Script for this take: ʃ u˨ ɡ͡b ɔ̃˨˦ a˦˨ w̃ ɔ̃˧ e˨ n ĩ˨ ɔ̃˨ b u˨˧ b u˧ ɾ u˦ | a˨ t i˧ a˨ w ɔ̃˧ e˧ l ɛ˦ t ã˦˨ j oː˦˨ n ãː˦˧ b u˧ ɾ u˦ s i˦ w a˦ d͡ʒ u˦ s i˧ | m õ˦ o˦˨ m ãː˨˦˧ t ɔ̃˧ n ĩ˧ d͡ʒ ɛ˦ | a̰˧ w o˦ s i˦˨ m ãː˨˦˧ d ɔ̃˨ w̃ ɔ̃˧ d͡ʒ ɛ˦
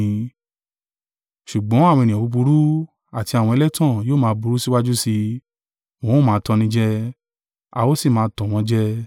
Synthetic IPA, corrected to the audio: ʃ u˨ ɡ͡b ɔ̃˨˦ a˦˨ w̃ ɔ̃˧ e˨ n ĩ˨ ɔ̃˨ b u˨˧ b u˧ ɾ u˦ | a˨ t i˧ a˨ w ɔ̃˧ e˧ l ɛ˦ t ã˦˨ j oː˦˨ m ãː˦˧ b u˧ ɾ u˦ s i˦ w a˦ d͡ʒ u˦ s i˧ | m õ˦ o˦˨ m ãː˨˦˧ t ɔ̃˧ n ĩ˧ d͡ʒ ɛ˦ | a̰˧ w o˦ s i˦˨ m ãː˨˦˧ t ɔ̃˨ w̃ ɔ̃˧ d͡ʒ ɛ˦